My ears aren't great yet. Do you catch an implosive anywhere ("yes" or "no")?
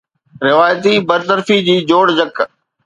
no